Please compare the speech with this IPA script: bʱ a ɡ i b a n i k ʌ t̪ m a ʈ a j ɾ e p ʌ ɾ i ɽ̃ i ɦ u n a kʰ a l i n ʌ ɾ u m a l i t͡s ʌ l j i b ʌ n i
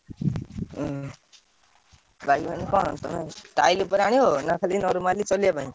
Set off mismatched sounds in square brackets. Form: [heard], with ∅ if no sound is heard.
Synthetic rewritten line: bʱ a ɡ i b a n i k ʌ t̪ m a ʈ a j [l] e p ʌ ɾ [a] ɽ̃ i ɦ [o] n a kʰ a l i n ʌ ɾ u m a l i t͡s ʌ l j [a] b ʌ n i